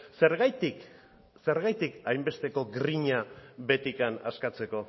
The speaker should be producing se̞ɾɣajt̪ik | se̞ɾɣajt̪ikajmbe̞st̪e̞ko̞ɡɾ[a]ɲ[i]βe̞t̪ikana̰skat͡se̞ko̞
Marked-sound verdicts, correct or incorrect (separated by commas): incorrect, incorrect